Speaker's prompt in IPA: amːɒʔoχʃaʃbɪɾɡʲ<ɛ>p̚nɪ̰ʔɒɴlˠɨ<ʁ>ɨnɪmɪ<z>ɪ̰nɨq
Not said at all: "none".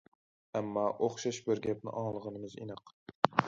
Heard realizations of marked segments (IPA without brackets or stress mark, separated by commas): a, ʁ, z